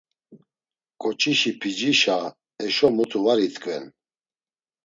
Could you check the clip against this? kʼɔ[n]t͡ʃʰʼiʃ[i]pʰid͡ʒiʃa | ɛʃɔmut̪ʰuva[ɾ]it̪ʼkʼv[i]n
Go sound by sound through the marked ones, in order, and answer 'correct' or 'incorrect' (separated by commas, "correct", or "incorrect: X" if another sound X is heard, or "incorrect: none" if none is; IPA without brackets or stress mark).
incorrect: none, correct, correct, incorrect: ɛ